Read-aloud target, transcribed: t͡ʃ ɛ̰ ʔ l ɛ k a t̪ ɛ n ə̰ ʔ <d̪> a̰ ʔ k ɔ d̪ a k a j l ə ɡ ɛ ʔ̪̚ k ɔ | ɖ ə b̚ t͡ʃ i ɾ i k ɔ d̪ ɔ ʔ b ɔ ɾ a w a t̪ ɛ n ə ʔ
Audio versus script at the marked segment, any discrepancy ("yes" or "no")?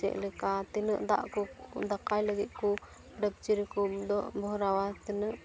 no